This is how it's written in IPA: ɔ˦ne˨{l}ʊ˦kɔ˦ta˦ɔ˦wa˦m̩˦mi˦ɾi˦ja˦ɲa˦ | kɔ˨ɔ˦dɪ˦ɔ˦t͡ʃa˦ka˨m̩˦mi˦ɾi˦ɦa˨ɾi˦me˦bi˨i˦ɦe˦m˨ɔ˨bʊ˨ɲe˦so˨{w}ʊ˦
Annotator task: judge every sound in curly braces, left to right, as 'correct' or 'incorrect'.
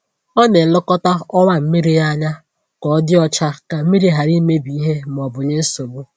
correct, incorrect: b

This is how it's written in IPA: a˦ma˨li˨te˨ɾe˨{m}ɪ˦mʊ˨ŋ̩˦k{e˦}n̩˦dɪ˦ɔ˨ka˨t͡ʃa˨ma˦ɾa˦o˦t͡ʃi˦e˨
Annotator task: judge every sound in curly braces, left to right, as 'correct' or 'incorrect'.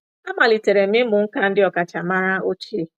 correct, incorrect: a˦

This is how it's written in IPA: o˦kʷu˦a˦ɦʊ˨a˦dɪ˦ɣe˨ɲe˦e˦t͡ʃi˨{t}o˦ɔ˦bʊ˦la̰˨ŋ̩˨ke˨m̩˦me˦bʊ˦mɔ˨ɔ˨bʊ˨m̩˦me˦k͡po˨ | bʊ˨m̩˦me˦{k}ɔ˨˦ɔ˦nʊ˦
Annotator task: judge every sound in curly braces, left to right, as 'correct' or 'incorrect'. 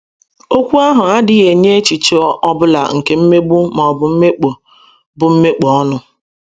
incorrect: t͡ʃ, incorrect: k͡p

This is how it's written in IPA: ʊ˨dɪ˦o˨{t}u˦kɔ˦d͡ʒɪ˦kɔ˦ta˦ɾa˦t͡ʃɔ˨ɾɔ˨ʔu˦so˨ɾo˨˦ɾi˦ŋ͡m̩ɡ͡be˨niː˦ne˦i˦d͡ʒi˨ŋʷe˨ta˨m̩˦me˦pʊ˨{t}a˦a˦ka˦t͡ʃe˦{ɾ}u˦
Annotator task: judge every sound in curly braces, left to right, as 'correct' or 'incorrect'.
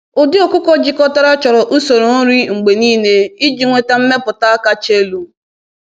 incorrect: k, correct, incorrect: l

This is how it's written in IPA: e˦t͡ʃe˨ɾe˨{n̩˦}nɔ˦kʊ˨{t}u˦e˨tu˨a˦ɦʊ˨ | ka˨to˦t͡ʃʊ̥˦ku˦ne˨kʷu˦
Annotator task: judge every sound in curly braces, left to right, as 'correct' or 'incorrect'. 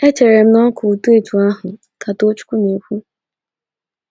incorrect: m̩˦, correct

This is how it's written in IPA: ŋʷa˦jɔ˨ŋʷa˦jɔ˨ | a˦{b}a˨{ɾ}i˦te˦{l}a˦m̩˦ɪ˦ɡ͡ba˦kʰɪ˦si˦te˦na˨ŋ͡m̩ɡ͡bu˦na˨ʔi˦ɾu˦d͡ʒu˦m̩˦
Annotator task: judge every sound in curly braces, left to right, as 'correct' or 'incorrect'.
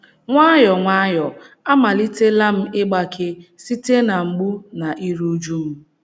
incorrect: m, incorrect: l, correct

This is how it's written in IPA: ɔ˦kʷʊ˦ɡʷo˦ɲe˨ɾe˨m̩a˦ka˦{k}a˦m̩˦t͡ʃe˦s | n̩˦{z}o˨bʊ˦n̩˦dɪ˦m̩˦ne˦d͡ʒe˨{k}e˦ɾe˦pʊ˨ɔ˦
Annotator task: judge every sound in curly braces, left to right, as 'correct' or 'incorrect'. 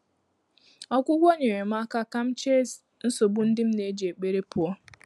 correct, incorrect: s, incorrect: k͡p

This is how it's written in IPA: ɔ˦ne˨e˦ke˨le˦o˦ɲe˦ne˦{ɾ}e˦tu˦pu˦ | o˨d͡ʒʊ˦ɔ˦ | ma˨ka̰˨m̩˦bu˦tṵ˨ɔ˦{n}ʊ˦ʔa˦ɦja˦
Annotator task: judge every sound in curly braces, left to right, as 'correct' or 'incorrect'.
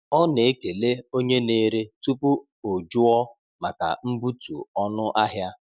correct, correct

